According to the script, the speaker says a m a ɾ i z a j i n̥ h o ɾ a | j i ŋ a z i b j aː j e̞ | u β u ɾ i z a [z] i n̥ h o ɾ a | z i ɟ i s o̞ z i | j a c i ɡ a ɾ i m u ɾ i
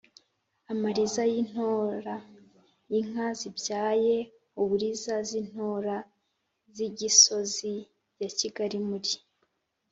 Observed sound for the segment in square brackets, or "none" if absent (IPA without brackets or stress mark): z